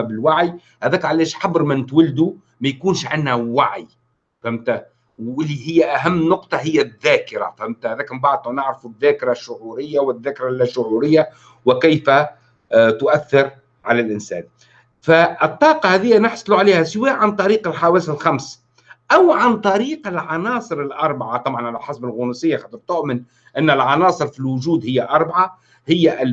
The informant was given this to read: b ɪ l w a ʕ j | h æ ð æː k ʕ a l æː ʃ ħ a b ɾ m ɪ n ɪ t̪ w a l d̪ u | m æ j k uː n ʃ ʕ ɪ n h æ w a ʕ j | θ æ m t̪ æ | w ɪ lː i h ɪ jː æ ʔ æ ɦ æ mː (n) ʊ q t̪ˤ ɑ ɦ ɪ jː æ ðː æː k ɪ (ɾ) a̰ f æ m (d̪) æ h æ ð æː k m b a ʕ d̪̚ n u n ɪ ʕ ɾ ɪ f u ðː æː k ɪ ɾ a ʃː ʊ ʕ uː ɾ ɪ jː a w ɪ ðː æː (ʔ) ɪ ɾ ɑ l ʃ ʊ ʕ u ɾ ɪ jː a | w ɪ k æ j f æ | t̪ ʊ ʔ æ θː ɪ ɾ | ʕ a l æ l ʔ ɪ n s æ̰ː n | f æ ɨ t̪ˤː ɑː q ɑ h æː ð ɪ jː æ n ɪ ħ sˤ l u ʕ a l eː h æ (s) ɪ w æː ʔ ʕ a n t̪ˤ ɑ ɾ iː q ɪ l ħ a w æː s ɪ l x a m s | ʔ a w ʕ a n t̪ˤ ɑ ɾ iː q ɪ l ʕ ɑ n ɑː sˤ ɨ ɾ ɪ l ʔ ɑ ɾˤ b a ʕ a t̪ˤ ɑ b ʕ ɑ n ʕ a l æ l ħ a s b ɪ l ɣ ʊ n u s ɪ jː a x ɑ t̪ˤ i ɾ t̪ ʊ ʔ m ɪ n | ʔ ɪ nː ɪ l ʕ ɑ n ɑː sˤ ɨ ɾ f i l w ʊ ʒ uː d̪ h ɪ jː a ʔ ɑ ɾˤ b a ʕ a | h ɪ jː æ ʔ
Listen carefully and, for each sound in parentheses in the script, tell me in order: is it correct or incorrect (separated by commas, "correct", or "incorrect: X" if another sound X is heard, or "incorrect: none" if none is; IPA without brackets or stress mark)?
correct, correct, incorrect: t̪, incorrect: k, correct